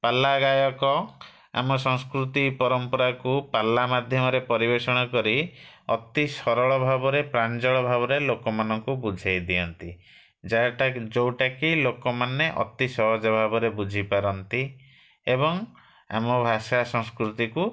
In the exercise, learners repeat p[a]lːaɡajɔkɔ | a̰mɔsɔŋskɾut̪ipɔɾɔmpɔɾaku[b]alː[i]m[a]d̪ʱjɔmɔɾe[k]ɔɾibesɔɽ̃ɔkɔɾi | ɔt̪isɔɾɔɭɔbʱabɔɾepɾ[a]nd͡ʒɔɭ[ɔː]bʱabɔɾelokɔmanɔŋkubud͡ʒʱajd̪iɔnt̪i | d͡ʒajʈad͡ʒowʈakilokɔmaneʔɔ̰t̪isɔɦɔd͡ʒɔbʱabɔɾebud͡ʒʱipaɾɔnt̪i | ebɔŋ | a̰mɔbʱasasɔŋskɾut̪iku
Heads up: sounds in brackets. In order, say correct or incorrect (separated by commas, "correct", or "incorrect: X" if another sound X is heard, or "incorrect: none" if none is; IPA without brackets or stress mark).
correct, incorrect: p, incorrect: a, correct, incorrect: p, correct, incorrect: ɔ